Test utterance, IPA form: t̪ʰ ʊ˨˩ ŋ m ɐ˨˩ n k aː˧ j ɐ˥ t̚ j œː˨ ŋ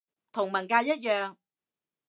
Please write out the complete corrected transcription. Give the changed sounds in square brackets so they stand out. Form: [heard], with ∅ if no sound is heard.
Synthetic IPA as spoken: t̪ʰ ʊ˨˩ ŋ m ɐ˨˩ n k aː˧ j ɐ˥ t̚ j œː˨ ŋ